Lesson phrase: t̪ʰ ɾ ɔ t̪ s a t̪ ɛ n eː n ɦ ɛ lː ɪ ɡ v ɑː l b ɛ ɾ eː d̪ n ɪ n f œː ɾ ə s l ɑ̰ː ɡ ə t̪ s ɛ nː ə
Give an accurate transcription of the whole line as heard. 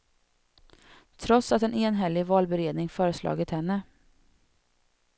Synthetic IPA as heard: t̪ʰ ɾ ɔ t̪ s a t̪ ɛ n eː n ɦ ɛ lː ɪ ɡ v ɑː l b ɛ ɾ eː d̪ n ɪ ŋ f œː ɾ ə s l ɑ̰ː ɡ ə t̪ h ɛ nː ə